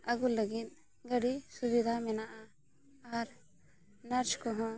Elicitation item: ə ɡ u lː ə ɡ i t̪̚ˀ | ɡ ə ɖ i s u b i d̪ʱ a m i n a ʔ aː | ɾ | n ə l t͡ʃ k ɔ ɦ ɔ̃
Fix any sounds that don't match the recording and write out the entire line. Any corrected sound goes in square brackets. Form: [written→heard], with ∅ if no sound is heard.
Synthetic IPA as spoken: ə ɡ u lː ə ɡ i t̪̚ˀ | ɡ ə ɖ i s u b i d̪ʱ a m [i→ɛ] n a ʔ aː | ɾ | n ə [l→ɾ] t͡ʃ k ɔ ɦ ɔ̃